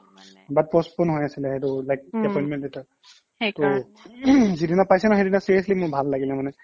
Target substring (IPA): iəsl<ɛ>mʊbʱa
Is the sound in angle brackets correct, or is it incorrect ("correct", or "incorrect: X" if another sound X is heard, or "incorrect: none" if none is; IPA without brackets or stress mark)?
incorrect: i